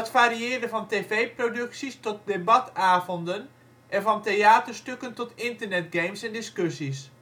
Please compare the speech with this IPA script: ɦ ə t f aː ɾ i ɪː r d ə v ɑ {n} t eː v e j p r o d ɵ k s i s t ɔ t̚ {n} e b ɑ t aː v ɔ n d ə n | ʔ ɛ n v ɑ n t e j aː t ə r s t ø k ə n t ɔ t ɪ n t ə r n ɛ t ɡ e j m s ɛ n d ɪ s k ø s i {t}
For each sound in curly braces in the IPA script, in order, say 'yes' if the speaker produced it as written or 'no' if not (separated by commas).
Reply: yes, no, no